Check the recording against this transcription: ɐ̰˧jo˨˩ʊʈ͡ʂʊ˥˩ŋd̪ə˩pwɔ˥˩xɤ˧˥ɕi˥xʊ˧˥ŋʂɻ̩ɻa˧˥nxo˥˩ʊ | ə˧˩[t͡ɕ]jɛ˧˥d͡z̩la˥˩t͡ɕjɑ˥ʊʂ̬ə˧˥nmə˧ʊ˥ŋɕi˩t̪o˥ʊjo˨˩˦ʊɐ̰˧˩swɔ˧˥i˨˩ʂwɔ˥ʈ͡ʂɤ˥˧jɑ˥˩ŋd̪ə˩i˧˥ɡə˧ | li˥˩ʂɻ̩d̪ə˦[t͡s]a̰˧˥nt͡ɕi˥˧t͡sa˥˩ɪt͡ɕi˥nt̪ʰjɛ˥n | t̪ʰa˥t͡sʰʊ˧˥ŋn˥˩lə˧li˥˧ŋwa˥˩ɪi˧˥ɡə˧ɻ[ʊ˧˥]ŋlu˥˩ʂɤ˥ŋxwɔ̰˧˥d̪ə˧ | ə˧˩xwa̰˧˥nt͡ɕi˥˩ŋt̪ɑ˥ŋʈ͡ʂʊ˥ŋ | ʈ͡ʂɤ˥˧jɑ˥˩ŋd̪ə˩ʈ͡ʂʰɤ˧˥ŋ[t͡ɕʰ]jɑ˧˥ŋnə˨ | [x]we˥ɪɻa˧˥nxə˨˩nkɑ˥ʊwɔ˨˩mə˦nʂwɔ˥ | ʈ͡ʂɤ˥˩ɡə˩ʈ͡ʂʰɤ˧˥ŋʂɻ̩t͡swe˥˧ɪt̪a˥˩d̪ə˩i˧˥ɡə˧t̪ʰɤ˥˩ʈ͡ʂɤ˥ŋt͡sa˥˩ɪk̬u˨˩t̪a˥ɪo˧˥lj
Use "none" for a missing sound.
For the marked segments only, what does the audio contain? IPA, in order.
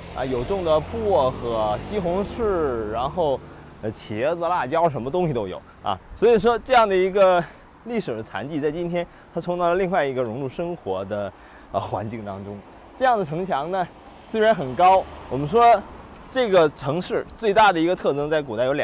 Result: t͡ɕʰ, t͡sʰ, ʊ˧˥, t͡ɕʰ, s

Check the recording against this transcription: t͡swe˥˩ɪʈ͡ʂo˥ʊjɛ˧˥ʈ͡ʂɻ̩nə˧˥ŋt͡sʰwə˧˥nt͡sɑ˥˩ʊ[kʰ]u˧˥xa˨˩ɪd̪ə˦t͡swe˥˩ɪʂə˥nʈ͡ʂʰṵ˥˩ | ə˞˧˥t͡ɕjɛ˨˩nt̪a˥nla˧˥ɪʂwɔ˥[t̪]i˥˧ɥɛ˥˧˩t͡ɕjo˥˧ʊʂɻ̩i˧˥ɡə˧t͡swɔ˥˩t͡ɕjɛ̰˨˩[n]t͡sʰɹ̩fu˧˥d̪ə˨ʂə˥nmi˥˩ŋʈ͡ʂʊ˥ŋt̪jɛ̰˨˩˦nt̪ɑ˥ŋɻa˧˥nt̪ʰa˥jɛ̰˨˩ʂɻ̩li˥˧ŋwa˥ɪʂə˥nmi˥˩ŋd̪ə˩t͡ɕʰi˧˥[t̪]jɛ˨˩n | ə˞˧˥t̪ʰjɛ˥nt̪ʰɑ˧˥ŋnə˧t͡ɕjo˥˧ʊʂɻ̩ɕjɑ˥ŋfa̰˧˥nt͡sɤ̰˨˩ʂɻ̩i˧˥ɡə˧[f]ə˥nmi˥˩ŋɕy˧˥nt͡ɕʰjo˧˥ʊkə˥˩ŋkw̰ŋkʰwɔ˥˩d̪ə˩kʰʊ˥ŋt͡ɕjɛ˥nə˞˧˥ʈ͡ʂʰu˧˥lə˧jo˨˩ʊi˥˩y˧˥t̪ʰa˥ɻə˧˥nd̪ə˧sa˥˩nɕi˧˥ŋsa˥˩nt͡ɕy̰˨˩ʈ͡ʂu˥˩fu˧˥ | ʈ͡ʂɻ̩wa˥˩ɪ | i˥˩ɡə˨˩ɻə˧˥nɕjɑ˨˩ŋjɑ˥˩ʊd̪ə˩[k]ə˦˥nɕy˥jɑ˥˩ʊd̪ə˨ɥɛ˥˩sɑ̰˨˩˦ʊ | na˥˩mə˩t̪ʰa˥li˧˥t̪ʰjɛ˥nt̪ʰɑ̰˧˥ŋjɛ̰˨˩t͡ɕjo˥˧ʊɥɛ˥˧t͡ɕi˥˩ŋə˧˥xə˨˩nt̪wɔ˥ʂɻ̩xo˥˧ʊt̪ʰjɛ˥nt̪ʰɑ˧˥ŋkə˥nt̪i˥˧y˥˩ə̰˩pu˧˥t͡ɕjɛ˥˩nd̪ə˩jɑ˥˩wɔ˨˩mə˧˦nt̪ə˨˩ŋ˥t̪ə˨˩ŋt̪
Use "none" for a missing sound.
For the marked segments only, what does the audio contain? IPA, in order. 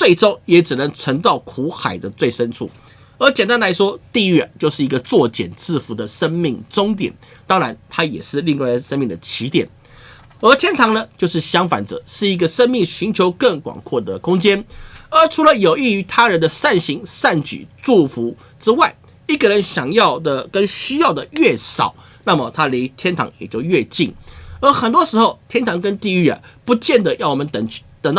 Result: kʰ, t̪, n, t̪, ʂ, k

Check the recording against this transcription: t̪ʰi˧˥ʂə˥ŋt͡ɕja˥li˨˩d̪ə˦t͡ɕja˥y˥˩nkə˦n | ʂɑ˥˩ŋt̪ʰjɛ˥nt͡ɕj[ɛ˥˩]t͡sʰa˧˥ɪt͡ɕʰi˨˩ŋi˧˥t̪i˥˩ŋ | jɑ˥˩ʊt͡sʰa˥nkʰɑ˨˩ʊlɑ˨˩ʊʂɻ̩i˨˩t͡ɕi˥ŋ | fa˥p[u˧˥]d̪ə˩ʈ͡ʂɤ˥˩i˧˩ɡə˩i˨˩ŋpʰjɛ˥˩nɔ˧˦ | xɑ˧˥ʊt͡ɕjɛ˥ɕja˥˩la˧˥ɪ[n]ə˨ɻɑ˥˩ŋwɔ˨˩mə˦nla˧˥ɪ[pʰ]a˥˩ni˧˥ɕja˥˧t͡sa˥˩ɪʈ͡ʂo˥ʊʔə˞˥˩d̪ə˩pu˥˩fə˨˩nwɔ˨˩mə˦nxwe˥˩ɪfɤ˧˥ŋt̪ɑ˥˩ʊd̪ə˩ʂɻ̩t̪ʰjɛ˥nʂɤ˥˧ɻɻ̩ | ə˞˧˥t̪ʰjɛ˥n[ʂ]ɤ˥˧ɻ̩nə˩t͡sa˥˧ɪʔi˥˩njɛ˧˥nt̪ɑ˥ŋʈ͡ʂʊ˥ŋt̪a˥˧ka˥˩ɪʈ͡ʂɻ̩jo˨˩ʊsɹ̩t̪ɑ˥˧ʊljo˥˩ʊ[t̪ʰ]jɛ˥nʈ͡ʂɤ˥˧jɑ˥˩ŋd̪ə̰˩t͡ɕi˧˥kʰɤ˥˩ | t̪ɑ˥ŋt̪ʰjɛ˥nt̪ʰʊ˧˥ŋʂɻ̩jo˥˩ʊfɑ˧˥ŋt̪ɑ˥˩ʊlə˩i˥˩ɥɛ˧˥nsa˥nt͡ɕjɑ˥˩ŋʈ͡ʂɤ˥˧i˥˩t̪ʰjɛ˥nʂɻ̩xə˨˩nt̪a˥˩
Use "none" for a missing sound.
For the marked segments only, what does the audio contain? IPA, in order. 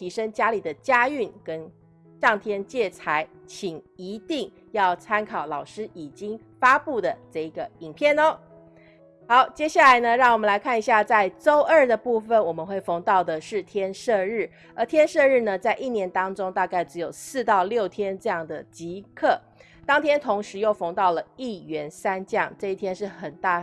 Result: ɛ˥˩, u˥˩, n, kʰ, ʂ, t̪ʰ

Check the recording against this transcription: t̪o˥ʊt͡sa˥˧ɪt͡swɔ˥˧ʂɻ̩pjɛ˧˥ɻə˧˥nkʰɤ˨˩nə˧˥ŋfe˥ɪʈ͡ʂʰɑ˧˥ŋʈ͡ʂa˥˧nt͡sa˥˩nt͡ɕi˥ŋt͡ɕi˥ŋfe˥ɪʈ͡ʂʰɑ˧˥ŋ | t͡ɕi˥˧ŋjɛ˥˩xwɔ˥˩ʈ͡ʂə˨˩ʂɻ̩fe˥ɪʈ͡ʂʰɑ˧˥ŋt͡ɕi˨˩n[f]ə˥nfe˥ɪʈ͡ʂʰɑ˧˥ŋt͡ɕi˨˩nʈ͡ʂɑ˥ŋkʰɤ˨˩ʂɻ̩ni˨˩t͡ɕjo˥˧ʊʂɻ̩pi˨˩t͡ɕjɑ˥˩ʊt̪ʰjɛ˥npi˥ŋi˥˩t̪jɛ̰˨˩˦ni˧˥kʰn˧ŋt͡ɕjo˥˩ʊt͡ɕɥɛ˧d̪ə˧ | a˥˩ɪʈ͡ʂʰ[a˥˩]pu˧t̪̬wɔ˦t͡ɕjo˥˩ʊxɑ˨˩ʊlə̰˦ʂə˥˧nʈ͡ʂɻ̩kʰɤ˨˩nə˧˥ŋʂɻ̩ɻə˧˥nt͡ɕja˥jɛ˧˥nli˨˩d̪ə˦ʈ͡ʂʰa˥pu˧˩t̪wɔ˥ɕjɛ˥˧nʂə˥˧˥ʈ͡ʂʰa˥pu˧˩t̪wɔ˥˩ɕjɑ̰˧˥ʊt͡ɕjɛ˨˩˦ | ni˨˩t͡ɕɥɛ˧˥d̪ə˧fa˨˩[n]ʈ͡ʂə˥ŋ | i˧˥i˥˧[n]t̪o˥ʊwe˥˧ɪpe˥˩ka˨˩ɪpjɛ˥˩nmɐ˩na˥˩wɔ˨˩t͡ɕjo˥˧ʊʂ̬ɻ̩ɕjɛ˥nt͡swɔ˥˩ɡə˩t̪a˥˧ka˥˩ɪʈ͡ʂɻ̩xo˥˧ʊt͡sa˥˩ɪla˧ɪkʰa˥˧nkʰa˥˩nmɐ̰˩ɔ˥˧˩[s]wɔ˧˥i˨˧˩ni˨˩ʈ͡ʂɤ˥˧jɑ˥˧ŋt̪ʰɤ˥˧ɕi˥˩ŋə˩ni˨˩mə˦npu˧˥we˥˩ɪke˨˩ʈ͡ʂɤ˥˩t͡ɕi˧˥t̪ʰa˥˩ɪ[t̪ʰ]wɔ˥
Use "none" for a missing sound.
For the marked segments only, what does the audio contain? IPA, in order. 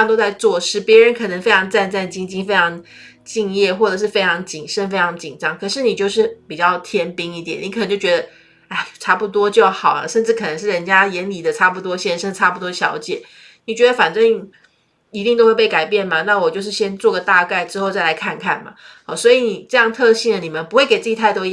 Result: ʂ, a˥, n, ŋ, s, t̪

